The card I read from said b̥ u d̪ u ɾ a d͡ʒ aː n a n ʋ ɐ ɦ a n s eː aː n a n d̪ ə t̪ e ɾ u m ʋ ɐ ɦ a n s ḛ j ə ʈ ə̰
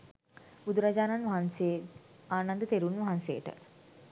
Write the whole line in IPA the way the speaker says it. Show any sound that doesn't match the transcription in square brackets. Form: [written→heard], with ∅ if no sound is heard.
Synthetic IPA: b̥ u d̪ u ɾ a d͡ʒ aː n a n ʋ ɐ ɦ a n s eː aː n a n d̪ ə t̪ e ɾ u [m→n] ʋ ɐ ɦ a n s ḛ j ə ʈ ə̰